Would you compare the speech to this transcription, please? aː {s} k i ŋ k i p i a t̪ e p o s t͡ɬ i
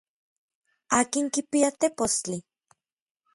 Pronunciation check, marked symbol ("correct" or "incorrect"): incorrect